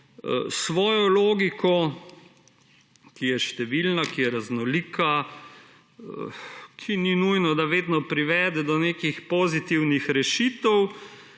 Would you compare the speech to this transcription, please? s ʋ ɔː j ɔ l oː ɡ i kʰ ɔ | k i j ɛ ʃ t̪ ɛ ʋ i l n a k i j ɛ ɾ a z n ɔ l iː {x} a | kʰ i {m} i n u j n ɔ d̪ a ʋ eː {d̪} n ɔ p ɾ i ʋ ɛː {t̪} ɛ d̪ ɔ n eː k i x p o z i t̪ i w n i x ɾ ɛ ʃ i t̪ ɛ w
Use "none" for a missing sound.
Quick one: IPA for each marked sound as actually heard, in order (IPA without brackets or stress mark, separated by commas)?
k, n, d̪, d̪